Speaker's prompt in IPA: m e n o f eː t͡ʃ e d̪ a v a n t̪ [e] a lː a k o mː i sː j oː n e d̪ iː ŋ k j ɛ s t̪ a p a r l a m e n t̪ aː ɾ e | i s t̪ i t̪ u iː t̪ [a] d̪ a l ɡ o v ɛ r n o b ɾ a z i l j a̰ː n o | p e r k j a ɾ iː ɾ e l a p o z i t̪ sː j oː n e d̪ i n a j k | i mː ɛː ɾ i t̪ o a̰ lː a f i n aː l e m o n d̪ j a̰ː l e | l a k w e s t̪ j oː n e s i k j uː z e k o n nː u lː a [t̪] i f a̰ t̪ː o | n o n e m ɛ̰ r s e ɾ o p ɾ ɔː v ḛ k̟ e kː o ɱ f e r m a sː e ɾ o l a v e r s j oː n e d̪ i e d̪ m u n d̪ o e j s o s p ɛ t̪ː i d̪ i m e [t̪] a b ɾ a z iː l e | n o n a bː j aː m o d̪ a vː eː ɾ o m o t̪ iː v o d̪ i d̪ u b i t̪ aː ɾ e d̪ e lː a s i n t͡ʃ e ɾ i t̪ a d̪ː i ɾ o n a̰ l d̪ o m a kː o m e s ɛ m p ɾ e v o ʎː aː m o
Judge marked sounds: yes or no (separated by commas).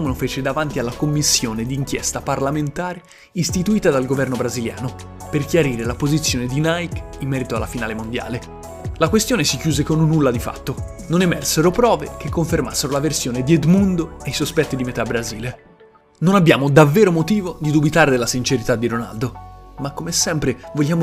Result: no, yes, no, yes